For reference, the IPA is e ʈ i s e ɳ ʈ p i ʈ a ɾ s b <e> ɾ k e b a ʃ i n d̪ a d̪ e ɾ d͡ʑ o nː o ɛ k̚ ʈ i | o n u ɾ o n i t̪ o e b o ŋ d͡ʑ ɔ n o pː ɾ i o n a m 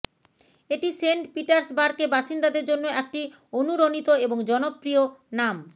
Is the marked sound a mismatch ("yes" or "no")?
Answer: yes